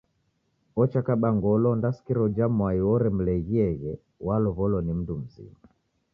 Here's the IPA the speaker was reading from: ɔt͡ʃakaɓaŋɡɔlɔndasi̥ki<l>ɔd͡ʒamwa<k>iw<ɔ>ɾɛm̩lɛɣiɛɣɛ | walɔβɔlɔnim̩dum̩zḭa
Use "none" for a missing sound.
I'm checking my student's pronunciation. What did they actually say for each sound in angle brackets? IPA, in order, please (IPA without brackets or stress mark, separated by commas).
ɾ, none, ɔ